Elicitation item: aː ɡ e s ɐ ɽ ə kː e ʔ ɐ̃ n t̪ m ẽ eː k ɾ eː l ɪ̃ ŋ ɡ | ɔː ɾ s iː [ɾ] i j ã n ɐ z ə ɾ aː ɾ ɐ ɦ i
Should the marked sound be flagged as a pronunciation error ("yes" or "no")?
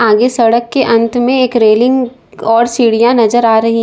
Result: yes